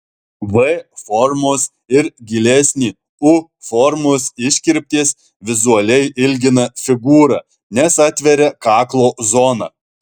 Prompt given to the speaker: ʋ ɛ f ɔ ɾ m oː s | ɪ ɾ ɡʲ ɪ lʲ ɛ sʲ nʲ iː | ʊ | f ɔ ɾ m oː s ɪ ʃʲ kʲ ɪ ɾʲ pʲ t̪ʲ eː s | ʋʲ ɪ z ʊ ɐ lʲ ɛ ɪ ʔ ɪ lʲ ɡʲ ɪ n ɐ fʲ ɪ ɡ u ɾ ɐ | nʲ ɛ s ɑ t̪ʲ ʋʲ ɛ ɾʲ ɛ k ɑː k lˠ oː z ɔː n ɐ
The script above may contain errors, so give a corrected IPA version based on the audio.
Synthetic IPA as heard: ʋ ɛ f ɔ ɾ m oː s | ɪ ɾ ɡʲ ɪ lʲ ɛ sʲ nʲ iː | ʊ | f ɔ ɾ m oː s ɪ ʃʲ kʲ ɪ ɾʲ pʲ t̪ʲ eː s | ʋʲ ɪ z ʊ ɐ lʲ ɛ ɪ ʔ ɪ lʲ ɡʲ ɪ n ɐ fʲ ɪ ɡ uː ɾ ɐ | nʲ ɛ s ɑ t̪ʲ ʋʲ ɛ ɾʲ ɛ k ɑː k lˠ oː z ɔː n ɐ